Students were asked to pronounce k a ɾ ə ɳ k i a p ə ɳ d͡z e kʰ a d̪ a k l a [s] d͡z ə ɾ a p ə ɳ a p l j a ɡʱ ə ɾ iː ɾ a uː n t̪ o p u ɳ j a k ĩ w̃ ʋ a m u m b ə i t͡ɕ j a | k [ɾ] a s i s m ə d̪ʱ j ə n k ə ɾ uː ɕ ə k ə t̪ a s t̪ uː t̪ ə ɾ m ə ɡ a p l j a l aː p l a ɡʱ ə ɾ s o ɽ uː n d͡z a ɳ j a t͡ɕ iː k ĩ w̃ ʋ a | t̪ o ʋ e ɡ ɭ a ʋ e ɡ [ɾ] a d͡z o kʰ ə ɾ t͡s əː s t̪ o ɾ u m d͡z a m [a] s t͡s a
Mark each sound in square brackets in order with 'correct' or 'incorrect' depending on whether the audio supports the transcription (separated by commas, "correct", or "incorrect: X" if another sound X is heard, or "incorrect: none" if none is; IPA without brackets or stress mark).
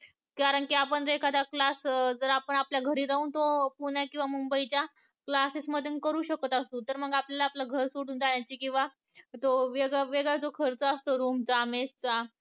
correct, incorrect: l, incorrect: ɭ, incorrect: e